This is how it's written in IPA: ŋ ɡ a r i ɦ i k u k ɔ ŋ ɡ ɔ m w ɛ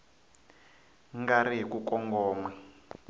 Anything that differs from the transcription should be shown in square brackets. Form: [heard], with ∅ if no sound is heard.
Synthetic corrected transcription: ŋ ɡ a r i ɦ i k u k ɔ ŋ ɡ [ɔː] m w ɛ